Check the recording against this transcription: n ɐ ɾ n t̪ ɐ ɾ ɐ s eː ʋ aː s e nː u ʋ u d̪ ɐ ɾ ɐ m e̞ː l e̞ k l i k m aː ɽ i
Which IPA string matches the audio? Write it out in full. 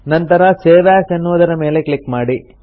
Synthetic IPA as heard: n ɐ n t̪ ɐ ɾ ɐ s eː ʋ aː s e nː u ʋ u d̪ ɐ ɾ ɐ m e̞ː l e̞ k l i k m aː ɽ i